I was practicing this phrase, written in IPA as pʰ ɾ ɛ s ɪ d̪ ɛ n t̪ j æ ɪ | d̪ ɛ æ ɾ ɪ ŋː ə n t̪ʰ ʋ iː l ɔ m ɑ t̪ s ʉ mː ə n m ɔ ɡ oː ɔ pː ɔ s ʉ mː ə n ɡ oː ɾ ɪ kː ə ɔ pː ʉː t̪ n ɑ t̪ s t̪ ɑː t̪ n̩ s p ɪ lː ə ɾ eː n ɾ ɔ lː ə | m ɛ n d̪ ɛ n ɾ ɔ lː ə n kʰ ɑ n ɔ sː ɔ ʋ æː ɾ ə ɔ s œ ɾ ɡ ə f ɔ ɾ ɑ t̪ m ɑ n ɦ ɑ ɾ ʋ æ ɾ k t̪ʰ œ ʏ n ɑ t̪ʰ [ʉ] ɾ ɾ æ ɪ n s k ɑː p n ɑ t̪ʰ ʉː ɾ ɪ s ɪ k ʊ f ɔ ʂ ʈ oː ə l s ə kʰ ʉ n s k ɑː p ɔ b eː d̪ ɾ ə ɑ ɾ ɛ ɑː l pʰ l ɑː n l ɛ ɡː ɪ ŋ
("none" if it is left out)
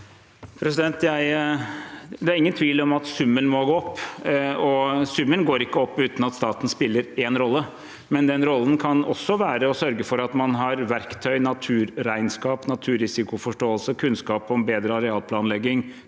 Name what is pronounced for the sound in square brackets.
ʉː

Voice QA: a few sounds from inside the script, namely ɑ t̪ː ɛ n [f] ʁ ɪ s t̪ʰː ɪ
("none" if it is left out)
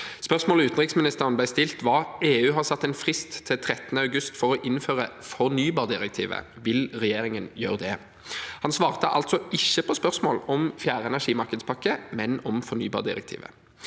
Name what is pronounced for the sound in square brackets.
f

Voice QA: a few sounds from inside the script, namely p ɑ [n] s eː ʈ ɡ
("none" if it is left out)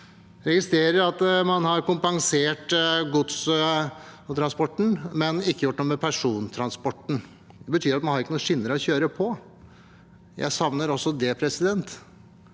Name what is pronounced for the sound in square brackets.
ŋ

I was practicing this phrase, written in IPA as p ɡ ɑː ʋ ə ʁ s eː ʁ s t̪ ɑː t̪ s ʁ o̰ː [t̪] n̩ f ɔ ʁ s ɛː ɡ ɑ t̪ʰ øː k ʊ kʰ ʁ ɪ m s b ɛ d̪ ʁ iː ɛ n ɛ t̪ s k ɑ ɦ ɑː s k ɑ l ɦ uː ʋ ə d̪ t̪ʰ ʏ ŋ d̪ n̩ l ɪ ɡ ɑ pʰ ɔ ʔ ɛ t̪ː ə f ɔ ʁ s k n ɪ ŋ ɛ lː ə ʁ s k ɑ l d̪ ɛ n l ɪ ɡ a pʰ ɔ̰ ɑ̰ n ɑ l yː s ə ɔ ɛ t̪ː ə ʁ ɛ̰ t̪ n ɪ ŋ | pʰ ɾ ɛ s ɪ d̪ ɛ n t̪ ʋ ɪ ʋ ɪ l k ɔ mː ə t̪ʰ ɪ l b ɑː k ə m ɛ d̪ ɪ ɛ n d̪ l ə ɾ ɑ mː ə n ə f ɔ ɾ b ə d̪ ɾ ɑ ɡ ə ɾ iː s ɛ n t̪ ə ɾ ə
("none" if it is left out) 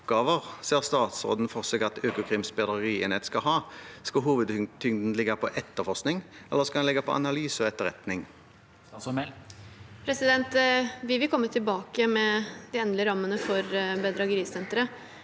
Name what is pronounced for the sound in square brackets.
d̪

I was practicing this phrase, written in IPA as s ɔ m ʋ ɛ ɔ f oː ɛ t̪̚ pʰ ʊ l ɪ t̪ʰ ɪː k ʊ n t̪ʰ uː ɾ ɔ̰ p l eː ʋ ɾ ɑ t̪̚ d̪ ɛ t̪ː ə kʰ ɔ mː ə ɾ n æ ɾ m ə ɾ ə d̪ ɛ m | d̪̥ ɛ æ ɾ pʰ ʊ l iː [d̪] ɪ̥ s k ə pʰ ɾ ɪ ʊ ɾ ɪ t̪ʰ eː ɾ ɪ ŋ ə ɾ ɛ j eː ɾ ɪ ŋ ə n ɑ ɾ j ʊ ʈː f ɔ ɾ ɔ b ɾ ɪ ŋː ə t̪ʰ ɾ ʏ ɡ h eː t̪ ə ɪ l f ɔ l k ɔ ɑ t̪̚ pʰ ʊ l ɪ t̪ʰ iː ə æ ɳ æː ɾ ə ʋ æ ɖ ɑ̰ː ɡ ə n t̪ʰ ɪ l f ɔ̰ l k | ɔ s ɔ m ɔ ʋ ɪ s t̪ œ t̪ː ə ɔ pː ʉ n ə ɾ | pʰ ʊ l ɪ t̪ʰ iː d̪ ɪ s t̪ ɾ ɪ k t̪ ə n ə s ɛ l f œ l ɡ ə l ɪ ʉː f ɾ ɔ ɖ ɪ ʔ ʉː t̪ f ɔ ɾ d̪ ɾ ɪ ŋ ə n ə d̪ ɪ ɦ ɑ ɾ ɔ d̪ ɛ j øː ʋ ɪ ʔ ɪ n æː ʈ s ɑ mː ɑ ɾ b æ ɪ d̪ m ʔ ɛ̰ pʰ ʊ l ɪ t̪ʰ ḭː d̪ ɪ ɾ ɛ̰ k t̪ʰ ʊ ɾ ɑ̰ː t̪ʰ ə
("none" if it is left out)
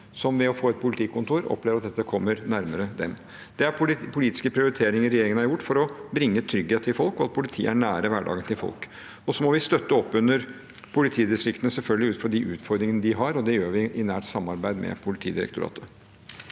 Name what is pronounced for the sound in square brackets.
t̪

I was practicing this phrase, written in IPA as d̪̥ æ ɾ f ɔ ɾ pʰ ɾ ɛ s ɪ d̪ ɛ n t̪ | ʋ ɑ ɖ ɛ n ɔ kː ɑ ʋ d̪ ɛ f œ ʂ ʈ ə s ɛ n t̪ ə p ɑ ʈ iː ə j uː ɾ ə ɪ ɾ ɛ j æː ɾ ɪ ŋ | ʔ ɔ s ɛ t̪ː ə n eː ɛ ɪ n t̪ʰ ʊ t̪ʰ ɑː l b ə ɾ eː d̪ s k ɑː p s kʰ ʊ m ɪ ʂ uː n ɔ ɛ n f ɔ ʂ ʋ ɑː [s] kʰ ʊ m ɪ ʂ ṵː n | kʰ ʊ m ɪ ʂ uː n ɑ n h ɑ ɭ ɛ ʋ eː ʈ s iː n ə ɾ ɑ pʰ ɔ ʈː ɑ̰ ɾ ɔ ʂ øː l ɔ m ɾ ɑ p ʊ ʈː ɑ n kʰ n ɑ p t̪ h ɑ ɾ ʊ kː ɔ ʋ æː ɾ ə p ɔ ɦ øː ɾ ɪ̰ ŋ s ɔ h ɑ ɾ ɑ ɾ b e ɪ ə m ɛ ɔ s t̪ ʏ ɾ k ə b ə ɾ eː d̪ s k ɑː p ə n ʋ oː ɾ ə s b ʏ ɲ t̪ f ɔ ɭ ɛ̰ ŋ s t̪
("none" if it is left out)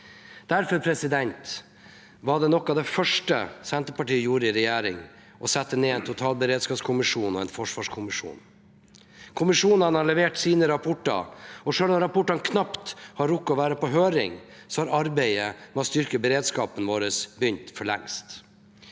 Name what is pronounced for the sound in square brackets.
ʂ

